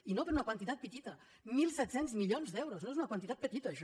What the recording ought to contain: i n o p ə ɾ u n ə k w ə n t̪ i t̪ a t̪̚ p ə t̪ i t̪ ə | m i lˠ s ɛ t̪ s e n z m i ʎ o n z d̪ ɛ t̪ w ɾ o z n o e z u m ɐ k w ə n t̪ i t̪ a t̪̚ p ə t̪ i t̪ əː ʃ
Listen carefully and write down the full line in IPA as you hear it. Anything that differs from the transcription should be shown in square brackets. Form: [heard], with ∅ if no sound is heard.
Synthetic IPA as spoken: i n o p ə ɾ u n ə k w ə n t̪ i t̪ a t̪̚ p ə t̪ i t̪ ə | m i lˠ s ɛ t̪ s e n z m i ʎ o n z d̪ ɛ [∅] w ɾ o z n o e z u [n] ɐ k w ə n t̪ i t̪ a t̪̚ p ə t̪ i t̪ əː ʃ